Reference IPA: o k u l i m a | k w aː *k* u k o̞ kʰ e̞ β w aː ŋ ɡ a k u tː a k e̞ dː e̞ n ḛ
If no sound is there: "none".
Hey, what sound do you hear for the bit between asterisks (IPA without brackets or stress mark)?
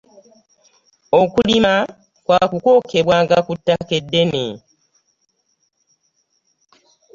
k